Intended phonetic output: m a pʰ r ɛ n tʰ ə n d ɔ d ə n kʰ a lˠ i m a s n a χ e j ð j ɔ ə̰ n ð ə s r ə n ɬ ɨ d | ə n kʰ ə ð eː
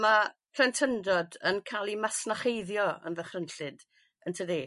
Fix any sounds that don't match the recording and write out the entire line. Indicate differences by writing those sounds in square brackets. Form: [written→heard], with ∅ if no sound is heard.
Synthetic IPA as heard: m a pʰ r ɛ n tʰ ə n d ɔ d ə n kʰ a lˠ i m a s n a χ e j ð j ɔ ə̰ n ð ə [s→χ] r ə n ɬ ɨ d | ə n [kʰ→tʰ] ə ð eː